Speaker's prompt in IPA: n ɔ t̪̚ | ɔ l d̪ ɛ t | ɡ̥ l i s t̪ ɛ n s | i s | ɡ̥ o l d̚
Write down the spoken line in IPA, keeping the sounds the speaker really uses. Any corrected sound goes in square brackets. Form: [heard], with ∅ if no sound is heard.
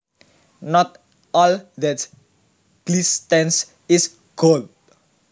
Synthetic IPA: n ɔ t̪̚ | ɔ l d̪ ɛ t | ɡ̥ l i s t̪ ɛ n s | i s | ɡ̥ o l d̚